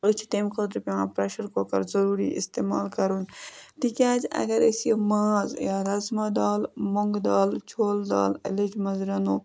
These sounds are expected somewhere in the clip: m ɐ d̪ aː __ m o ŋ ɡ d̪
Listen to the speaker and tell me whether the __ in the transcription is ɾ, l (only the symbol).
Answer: l